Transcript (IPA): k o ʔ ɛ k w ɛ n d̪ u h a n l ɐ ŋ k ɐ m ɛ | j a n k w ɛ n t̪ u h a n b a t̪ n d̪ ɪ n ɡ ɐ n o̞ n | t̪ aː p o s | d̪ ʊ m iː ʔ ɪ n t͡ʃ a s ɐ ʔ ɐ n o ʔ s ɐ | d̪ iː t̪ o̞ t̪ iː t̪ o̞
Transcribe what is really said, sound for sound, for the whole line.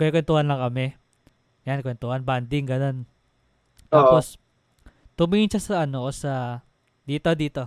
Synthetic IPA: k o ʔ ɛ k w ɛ n t̪ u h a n l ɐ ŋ k ɐ m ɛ | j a n k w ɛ n t̪ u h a n b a n d̪ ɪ ŋ ɡ ɐ n o̞ n | t̪ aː p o s | t̪ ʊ m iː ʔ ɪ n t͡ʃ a s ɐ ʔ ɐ n o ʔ s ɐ | d̪ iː t̪ o̞ d̪ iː t̪ o̞